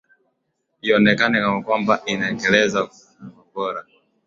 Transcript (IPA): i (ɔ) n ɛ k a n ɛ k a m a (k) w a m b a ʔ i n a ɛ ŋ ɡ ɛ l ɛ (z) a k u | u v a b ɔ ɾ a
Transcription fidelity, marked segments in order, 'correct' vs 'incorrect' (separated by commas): correct, correct, correct